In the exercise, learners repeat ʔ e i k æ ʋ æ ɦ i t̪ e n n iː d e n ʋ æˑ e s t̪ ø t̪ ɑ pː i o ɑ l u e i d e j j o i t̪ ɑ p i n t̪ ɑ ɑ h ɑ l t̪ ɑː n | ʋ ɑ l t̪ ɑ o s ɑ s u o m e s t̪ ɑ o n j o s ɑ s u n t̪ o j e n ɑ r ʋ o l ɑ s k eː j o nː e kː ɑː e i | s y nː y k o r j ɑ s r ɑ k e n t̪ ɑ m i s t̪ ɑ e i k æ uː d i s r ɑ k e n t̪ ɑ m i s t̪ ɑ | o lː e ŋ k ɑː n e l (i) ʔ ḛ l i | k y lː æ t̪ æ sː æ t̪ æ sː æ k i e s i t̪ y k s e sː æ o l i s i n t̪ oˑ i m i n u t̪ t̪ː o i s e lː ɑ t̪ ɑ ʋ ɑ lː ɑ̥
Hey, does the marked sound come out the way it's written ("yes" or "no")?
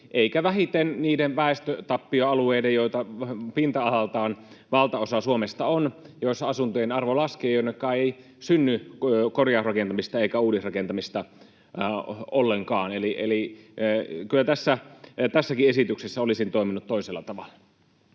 yes